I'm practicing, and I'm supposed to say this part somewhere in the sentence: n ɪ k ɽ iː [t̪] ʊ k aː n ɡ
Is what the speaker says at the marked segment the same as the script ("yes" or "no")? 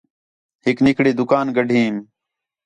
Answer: no